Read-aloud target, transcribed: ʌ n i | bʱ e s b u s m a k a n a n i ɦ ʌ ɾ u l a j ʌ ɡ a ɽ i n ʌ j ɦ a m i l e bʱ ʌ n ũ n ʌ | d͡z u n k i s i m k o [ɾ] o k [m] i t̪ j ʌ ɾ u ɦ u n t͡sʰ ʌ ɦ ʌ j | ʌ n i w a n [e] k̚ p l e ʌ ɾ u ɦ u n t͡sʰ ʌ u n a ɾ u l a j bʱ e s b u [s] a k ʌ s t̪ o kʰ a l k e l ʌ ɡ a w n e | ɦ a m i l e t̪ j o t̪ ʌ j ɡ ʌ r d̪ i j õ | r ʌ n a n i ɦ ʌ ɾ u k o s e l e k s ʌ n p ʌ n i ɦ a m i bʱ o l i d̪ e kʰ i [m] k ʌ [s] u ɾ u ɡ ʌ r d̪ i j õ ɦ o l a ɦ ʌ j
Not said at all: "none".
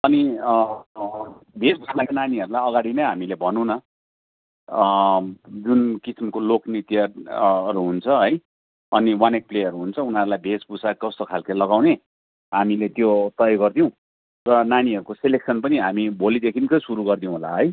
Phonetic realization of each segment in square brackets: l, n, e, s, n, s

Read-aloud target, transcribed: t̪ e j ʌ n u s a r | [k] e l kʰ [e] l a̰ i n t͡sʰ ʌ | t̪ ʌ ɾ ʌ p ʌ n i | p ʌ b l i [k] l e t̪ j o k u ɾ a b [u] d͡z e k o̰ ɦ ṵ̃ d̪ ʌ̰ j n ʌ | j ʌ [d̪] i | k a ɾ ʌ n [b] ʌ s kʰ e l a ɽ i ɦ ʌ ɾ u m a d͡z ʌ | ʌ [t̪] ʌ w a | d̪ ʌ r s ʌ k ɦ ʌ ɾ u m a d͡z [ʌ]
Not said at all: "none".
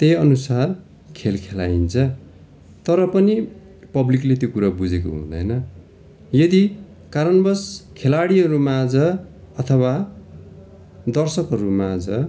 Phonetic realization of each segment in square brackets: kʰ, e, k, u, d̪, b, t̪ʰ, ʌ

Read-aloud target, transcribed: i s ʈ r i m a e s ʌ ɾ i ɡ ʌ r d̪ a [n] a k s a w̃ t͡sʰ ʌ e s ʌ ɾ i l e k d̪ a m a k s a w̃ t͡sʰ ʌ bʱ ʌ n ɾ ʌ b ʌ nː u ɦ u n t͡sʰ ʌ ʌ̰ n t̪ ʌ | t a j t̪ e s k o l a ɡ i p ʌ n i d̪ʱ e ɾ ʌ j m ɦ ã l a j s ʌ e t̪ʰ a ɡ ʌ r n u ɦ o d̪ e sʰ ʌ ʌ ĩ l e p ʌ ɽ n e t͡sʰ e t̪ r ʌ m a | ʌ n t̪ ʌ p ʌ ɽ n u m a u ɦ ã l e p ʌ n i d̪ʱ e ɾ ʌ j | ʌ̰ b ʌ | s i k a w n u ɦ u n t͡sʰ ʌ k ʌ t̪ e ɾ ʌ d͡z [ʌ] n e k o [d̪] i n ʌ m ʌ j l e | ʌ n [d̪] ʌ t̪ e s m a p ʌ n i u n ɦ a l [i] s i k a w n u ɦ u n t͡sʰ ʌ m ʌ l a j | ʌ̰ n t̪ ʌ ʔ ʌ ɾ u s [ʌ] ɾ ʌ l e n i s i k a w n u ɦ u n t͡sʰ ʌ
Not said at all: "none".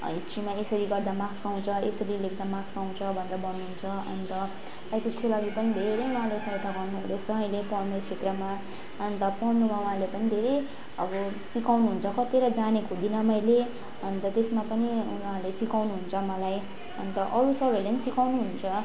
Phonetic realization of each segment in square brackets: m, a, d̪, t̪, e, ʌ

